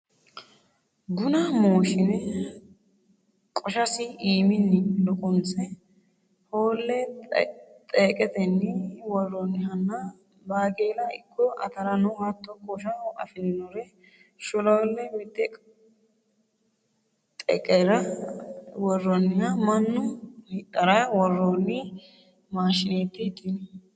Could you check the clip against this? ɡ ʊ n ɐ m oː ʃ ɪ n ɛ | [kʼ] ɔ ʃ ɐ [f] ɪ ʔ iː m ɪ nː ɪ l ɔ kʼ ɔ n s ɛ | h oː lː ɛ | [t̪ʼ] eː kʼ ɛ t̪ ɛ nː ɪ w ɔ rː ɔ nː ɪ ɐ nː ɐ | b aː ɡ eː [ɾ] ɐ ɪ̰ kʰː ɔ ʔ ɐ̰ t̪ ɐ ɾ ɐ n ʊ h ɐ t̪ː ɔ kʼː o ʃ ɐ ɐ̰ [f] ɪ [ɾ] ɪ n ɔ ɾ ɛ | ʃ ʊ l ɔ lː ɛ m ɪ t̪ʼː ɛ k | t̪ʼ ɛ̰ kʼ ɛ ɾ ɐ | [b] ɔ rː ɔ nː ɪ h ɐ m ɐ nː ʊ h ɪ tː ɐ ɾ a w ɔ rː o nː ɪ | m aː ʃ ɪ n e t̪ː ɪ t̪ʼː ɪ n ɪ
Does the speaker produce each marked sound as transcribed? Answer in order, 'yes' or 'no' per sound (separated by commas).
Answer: yes, no, yes, no, yes, no, no